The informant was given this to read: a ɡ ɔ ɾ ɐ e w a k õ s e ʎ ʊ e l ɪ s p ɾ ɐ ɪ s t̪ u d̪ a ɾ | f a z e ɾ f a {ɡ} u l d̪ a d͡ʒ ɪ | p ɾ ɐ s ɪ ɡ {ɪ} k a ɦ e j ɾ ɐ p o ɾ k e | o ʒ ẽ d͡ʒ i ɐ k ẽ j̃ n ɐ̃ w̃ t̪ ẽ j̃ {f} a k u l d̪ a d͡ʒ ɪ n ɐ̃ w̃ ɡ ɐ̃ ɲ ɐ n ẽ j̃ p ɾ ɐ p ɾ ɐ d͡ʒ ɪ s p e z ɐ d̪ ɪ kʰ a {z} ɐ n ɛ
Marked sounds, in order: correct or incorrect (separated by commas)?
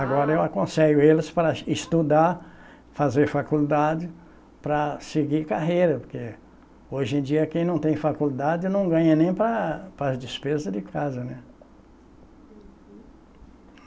incorrect, incorrect, correct, correct